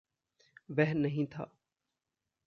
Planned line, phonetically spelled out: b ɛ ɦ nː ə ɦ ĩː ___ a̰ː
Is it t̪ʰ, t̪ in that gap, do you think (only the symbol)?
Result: t̪ʰ